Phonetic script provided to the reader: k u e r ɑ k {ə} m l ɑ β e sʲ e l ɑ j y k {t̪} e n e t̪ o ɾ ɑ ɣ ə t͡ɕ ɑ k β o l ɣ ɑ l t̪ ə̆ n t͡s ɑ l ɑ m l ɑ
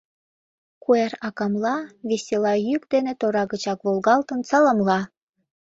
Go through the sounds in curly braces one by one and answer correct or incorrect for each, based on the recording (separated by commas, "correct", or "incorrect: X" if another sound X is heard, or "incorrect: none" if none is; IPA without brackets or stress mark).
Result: incorrect: ɑ, incorrect: d̪